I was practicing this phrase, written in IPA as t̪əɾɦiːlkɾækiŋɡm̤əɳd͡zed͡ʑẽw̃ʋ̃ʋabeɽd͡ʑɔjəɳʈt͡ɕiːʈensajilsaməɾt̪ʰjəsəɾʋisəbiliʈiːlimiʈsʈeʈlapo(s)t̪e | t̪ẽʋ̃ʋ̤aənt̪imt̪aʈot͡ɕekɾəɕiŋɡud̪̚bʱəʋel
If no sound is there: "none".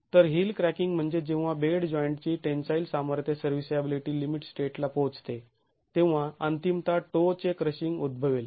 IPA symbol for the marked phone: t͡s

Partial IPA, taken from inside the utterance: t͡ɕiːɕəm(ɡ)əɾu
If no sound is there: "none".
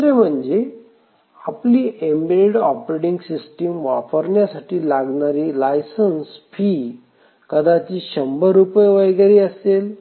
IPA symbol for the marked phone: b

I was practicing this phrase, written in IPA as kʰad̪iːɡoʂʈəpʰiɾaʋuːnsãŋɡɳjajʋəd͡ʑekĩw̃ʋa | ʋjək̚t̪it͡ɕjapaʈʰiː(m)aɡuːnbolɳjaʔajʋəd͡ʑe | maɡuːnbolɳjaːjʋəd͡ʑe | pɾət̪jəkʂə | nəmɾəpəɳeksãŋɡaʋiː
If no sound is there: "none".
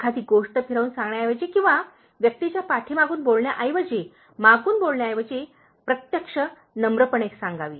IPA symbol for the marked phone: m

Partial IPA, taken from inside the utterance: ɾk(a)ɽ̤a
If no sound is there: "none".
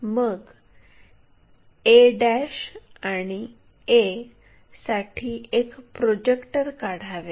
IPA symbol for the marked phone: a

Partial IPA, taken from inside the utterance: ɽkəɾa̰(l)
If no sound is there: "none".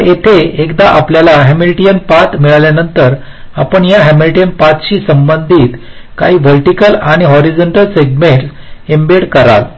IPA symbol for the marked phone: l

